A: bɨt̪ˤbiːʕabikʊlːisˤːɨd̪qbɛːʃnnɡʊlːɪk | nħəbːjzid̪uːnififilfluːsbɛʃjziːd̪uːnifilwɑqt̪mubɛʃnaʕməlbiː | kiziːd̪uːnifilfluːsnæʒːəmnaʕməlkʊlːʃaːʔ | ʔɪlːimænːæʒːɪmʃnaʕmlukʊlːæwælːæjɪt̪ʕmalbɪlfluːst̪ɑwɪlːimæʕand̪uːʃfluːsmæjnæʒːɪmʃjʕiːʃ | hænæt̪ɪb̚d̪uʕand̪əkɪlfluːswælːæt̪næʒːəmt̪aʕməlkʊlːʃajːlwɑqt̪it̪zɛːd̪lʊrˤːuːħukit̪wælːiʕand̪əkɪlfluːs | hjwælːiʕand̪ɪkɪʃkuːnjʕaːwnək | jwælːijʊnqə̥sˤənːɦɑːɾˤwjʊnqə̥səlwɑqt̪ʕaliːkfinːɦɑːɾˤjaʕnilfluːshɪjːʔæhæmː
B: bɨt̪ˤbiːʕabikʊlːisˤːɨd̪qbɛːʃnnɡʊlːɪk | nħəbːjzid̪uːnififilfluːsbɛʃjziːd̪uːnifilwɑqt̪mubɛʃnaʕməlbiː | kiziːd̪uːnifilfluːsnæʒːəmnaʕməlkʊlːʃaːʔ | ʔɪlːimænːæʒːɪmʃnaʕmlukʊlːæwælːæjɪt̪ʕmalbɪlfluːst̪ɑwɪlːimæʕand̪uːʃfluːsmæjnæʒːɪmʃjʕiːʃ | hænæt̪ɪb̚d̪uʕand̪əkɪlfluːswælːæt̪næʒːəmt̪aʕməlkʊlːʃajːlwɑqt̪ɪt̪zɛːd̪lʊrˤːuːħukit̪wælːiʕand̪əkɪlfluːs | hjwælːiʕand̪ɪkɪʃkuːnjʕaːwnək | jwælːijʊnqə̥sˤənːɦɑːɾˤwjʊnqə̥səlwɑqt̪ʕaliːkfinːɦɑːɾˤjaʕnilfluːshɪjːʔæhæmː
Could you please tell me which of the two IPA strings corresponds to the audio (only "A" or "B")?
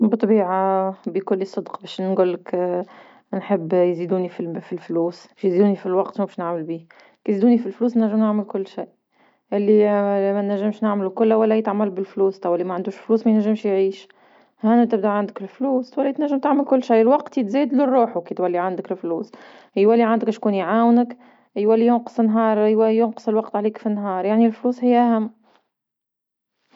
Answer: A